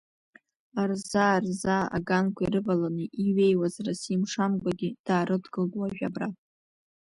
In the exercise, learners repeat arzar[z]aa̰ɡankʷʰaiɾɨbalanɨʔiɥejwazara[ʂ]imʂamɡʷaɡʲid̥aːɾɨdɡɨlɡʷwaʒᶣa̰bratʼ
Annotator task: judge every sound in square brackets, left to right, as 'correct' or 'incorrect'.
correct, incorrect: s

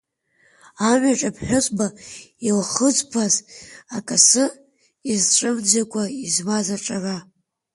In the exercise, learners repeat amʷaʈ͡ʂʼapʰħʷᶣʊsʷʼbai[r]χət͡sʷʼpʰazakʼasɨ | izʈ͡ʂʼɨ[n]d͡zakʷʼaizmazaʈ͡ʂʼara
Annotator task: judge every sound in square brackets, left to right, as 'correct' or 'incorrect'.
incorrect: l, incorrect: m

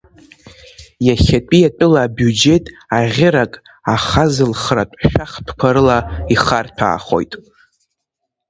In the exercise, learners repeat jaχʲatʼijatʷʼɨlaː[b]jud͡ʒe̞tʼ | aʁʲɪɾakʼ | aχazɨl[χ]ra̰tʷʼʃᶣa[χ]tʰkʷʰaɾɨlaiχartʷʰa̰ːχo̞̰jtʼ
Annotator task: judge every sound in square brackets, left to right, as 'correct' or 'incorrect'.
correct, correct, correct

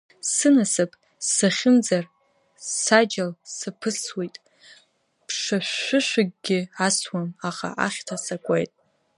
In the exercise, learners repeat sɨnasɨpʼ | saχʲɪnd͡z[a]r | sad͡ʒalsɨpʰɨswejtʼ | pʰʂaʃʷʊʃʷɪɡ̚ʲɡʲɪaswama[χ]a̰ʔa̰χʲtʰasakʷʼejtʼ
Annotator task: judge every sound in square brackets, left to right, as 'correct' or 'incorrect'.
correct, correct

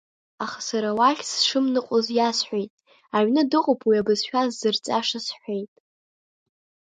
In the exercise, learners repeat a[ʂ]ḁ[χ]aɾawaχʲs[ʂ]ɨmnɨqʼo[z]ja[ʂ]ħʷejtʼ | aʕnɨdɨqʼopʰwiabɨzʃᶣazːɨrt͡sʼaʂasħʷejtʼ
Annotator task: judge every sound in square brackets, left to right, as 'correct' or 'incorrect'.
incorrect: χ, incorrect: s, correct, correct, incorrect: s

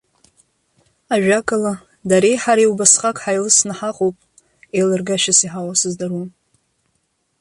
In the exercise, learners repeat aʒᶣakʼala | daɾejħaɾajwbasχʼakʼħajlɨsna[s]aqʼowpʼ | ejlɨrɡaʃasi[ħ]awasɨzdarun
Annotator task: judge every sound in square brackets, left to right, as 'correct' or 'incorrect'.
incorrect: ħ, correct

